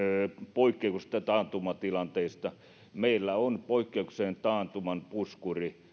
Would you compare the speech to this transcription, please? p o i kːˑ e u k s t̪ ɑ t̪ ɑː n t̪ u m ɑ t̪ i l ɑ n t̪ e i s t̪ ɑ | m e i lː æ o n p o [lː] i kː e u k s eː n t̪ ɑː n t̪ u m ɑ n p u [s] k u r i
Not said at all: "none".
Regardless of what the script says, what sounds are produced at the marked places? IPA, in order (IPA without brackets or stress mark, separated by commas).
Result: none, s